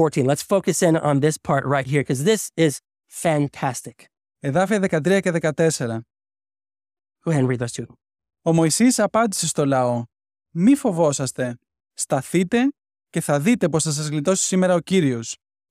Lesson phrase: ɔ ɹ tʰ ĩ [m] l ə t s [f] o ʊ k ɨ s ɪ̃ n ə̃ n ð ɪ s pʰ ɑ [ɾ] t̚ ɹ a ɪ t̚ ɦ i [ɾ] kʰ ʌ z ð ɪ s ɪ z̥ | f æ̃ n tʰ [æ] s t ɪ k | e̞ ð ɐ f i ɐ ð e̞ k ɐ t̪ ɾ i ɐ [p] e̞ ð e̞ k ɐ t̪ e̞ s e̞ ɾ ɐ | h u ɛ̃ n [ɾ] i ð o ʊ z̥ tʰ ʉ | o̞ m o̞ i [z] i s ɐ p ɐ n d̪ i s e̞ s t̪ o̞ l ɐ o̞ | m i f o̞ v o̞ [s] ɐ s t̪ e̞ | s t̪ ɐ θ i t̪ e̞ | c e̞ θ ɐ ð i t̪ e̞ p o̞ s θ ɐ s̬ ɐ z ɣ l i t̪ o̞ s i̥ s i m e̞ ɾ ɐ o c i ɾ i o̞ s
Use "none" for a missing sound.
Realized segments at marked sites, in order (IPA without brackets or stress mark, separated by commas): n, f, ɹ, ɹ, æ, c, ɹ, s, s